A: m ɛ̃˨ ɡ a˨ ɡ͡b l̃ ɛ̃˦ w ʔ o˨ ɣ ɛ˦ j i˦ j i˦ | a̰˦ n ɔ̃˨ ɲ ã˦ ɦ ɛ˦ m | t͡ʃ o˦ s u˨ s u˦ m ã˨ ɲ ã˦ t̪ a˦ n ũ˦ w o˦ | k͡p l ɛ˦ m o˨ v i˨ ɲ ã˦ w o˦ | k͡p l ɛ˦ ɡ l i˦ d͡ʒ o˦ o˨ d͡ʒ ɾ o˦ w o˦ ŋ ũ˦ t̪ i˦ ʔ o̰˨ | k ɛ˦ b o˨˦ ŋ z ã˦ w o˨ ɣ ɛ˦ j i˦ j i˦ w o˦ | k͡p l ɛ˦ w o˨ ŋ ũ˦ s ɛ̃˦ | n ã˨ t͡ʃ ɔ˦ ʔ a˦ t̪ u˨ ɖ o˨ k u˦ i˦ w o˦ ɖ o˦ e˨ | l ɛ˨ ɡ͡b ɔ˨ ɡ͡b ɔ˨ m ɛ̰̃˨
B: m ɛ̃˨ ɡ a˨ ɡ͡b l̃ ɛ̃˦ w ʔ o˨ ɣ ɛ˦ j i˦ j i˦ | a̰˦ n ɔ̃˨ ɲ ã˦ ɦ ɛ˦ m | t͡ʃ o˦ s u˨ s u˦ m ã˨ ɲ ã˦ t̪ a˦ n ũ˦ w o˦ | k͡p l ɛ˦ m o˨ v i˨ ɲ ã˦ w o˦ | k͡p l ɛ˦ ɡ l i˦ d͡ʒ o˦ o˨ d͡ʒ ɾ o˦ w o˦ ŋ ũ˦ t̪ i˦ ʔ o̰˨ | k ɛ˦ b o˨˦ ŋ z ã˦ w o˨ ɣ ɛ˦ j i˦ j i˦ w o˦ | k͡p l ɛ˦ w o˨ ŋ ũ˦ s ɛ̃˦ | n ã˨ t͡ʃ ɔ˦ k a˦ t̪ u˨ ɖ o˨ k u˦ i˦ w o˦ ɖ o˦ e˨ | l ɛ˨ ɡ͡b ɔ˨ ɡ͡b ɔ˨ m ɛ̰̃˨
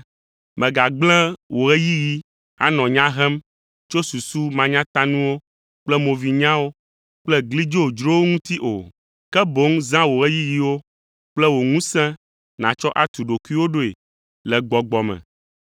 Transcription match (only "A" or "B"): A